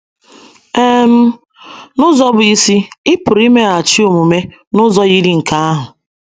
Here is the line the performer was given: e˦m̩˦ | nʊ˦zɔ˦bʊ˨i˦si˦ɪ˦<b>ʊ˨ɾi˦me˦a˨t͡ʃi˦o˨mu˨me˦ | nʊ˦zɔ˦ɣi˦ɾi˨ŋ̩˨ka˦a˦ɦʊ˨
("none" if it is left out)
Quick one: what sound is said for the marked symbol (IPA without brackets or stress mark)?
p